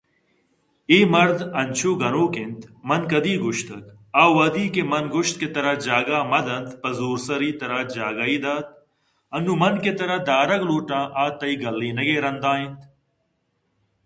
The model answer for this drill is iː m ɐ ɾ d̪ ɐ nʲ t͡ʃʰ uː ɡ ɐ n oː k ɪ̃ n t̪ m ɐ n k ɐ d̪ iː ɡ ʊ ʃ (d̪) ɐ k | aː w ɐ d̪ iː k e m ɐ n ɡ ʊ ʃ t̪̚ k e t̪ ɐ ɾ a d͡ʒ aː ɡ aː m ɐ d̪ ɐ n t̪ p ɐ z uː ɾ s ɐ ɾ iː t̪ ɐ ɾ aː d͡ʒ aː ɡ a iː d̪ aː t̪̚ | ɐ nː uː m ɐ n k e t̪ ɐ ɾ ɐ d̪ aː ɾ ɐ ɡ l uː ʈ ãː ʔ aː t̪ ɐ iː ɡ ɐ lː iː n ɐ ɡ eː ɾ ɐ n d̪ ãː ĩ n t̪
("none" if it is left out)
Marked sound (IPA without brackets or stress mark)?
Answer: t̪